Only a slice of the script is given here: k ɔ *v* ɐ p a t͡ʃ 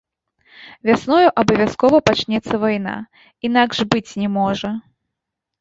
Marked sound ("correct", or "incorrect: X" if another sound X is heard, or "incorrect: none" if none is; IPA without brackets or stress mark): correct